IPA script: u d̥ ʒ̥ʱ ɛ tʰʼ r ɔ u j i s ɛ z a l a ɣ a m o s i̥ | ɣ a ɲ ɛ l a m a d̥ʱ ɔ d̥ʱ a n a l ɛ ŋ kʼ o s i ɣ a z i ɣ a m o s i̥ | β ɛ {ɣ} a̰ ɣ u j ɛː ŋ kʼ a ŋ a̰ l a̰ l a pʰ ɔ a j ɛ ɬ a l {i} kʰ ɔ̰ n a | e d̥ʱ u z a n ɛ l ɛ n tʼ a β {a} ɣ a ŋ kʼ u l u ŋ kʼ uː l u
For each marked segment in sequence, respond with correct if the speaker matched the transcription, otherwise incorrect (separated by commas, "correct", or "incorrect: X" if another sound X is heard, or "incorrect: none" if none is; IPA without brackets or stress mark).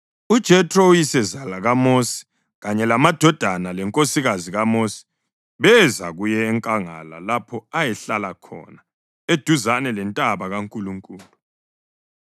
incorrect: z, incorrect: a, correct